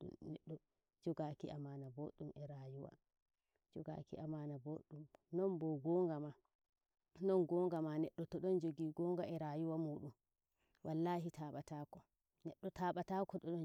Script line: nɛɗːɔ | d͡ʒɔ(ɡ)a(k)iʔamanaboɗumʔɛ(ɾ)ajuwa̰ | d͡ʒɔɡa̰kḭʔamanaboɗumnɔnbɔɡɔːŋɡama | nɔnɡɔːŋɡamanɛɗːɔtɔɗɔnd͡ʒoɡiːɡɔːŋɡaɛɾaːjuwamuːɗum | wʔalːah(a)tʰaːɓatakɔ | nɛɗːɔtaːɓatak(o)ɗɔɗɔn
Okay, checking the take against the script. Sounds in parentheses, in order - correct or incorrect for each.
correct, correct, correct, incorrect, incorrect

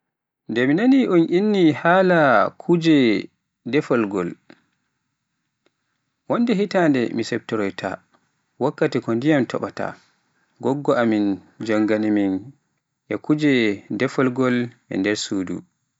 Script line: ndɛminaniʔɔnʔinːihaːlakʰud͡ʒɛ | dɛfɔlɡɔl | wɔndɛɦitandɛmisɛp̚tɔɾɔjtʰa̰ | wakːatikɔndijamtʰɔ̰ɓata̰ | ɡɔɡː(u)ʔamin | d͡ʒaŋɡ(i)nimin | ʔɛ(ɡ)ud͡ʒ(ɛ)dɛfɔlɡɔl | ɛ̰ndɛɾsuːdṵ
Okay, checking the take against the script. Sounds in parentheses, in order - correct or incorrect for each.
incorrect, incorrect, incorrect, correct

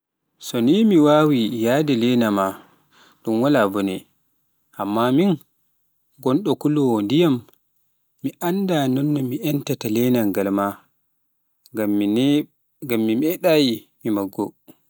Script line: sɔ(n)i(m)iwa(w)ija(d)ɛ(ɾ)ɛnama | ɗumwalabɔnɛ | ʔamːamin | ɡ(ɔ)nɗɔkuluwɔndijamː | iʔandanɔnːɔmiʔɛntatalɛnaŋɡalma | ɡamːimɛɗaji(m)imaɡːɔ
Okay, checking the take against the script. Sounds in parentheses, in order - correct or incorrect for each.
correct, correct, correct, correct, incorrect, correct, correct

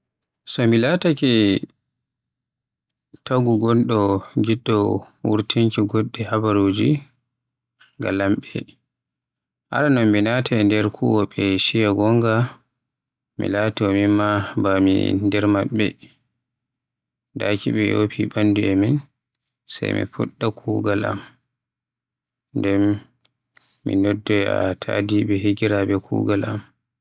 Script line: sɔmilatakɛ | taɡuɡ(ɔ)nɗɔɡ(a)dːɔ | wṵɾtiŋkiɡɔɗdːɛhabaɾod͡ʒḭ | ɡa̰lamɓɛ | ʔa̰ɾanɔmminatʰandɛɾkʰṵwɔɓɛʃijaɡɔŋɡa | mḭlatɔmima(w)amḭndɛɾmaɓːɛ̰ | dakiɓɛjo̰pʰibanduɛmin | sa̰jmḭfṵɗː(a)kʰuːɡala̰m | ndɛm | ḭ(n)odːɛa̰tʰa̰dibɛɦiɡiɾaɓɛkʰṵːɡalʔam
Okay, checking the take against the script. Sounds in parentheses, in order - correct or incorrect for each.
correct, incorrect, incorrect, correct, correct

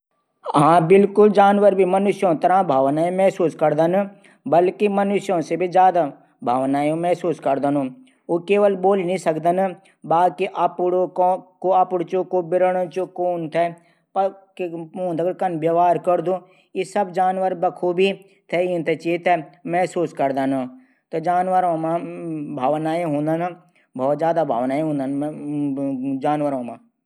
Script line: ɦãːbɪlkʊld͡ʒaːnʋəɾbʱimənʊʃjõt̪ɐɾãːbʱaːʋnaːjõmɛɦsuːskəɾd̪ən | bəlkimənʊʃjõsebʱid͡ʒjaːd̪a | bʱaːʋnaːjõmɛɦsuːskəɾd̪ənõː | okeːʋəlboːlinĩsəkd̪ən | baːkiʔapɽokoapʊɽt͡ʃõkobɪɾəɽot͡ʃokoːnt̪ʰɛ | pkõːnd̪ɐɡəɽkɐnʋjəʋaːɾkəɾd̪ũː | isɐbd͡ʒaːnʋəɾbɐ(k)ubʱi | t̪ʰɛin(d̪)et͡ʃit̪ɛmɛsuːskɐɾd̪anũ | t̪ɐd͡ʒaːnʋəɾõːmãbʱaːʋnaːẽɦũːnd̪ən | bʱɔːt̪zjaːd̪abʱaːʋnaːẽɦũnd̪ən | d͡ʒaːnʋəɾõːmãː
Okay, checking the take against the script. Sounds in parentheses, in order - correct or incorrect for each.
incorrect, incorrect

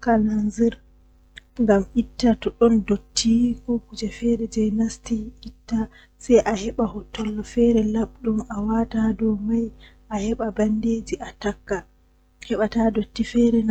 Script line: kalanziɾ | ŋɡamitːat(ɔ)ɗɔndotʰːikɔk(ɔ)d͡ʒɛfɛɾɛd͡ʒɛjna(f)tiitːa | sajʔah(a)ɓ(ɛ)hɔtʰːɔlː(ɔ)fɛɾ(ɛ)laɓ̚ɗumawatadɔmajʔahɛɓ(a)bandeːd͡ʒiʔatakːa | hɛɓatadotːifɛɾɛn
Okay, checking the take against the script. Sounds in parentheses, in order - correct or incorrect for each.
correct, incorrect, incorrect, incorrect, incorrect, correct, correct, correct

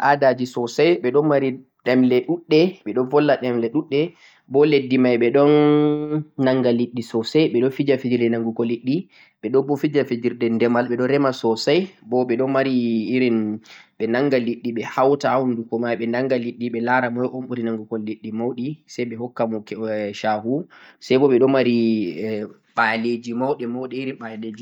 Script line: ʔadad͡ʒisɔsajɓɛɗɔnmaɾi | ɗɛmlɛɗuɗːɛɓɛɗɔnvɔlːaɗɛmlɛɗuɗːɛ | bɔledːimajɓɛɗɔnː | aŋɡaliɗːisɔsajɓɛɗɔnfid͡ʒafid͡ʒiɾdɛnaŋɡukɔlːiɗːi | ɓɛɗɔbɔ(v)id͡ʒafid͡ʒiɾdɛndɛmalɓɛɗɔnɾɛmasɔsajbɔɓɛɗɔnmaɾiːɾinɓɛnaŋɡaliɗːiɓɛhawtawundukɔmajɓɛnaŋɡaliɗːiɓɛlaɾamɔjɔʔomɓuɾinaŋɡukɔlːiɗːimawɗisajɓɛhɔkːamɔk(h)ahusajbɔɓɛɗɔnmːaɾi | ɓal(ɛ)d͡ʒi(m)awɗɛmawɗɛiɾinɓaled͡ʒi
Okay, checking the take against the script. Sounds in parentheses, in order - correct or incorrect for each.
incorrect, incorrect, incorrect, correct

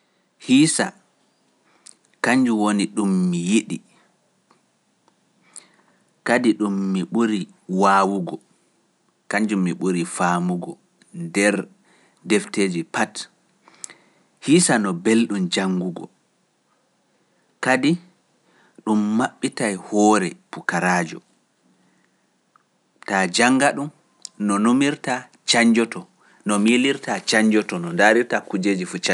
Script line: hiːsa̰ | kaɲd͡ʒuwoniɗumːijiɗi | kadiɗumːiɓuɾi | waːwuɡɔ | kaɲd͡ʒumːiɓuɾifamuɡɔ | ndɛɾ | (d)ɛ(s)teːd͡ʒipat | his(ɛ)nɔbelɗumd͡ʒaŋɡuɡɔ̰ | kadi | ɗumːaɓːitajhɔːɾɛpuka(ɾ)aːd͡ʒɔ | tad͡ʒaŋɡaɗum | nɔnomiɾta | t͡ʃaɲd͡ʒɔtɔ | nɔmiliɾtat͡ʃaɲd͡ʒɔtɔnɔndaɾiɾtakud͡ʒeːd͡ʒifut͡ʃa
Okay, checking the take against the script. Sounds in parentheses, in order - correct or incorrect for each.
correct, incorrect, incorrect, correct

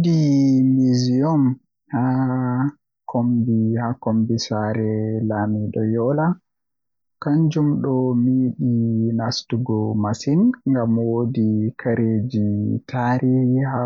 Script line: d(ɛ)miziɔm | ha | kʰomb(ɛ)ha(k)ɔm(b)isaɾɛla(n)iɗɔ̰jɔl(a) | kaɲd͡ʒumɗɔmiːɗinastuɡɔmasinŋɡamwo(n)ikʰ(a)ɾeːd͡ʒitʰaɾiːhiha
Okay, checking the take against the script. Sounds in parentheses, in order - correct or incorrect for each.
incorrect, incorrect, correct, correct, incorrect, correct, incorrect, correct

